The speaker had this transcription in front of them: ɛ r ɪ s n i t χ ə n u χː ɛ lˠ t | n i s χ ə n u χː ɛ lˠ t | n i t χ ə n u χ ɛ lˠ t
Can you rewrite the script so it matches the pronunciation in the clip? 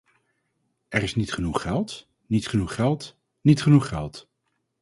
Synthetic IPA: ɛ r ɪ s n i t χ ə n u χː ɛ lˠ t | n i t χ ə n u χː ɛ lˠ t | n i t χ ə n u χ ɛ lˠ t